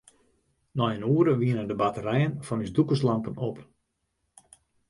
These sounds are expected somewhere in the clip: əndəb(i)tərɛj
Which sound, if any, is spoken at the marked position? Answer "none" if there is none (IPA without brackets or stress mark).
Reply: a